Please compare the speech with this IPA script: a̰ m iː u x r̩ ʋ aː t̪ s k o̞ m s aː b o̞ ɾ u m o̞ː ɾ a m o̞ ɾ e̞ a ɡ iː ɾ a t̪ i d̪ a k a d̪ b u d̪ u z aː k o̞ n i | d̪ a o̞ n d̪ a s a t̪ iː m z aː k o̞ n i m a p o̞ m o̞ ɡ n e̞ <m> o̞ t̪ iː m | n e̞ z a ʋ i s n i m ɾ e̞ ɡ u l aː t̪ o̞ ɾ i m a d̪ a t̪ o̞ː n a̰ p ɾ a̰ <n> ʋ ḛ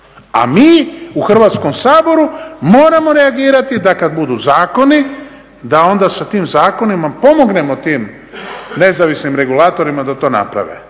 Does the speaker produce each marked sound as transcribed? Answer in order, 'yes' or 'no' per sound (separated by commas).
yes, no